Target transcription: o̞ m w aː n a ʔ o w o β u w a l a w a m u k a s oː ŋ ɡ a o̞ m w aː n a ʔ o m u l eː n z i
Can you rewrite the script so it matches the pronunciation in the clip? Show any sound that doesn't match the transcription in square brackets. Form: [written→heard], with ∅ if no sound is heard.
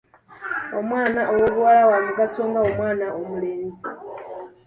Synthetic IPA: o̞ m w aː n a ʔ o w o β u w a l a w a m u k a s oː ŋ ɡ a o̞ m w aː n a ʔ o m u l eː n z i